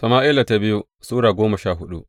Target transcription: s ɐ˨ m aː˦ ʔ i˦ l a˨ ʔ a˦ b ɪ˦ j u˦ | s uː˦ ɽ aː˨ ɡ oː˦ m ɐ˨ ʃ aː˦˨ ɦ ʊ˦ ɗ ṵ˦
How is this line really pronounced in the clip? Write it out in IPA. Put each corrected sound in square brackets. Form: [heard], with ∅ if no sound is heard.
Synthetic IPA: s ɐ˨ m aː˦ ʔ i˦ l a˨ [t] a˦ b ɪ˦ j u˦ | s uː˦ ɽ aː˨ ɡ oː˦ m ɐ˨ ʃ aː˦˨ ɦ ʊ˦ ɗ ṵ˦